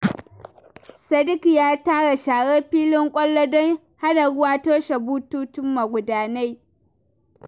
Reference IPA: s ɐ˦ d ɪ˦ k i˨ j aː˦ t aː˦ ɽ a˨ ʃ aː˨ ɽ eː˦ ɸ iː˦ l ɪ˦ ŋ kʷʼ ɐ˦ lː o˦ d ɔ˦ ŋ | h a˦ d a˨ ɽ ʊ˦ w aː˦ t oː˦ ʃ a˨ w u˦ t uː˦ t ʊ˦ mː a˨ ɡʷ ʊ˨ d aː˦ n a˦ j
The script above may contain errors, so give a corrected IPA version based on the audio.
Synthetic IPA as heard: s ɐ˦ d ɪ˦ k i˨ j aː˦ t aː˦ ɽ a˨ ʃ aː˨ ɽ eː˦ ɸ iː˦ l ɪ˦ ŋ kʷʼ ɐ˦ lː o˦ d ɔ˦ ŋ | h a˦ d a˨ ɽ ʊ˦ w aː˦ t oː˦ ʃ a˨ b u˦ t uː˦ t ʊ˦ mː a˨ ɡʷ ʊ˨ d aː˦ n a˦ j